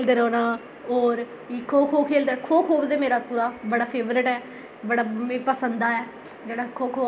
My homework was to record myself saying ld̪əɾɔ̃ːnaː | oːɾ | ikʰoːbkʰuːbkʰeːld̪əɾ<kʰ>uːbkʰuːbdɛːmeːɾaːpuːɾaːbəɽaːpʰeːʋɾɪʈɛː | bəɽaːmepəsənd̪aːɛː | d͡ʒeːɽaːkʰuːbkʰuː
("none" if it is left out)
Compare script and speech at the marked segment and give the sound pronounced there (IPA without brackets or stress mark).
kʰ